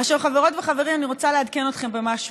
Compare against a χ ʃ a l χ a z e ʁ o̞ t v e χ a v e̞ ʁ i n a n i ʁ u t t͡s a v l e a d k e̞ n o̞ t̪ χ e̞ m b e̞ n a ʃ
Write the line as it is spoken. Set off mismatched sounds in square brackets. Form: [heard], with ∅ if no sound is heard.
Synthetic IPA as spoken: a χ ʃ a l χ a [v] e ʁ o̞ t v e χ a v e̞ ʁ i [m] a n i ʁ [o] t t͡s a [∅] l e a d k e̞ n o̞ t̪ χ e̞ m b e̞ [m] a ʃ